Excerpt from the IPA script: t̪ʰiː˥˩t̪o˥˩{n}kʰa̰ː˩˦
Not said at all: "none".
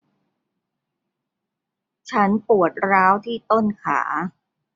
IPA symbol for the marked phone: n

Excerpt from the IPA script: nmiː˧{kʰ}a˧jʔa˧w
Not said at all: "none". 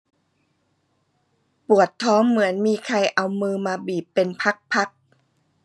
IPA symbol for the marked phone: kʰ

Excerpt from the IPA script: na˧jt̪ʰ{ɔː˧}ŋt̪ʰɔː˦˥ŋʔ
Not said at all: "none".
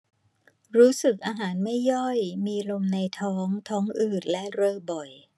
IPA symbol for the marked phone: ɔː˦˥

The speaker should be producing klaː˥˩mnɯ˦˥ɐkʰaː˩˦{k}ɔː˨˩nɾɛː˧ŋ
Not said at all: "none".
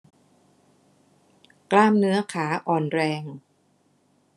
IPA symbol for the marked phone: ʔ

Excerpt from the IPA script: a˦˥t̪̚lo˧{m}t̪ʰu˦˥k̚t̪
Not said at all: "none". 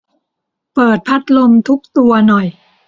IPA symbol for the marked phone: m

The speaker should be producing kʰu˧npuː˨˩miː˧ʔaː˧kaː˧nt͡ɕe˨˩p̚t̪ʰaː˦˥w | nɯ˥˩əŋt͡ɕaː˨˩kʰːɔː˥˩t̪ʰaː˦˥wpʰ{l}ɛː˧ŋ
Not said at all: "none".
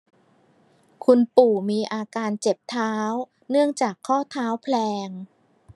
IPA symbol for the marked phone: l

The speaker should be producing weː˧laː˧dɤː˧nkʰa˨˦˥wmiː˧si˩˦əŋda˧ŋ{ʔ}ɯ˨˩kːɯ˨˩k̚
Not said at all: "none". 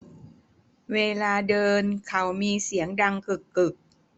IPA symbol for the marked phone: k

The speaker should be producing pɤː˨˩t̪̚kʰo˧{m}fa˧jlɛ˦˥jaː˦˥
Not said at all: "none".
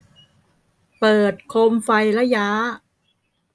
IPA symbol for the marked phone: m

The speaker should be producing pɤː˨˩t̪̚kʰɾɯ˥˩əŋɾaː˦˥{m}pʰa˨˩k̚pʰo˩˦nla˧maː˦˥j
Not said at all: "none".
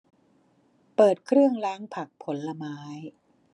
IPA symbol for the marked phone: ŋ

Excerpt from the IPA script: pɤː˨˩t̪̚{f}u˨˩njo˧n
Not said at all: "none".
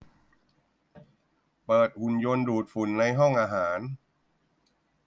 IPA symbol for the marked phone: h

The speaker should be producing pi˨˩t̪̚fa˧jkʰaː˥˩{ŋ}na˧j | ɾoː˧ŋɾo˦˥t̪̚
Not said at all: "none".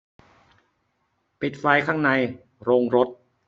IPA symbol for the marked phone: ŋ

